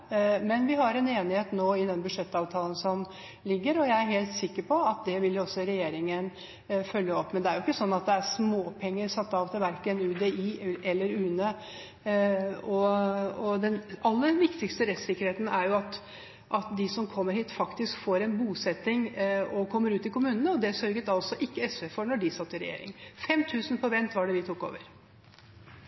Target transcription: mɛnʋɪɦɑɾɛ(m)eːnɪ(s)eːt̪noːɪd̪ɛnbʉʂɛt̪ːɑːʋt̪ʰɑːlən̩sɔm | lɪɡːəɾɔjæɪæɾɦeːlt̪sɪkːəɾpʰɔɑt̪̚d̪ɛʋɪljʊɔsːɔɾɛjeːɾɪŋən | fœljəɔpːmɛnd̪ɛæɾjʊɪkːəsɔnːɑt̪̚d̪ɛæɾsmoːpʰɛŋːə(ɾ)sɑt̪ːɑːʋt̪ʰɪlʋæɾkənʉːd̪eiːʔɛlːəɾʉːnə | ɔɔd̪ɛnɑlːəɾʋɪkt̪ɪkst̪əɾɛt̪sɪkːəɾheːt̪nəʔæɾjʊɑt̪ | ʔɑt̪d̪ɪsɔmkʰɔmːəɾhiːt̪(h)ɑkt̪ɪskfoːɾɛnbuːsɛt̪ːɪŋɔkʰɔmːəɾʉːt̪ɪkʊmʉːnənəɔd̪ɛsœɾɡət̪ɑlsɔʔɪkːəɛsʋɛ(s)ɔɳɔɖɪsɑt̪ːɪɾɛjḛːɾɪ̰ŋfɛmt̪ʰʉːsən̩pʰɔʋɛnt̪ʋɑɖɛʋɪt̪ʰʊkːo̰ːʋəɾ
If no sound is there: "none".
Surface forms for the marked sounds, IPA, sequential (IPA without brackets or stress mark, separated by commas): n, h, ɾ, f, f